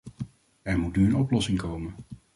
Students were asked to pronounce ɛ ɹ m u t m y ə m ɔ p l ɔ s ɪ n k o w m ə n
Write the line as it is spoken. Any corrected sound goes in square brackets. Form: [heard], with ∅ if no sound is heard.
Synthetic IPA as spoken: ɛ ɹ m u t [n] y ə [n] ɔ p l ɔ s ɪ [ŋ] k o w m ə n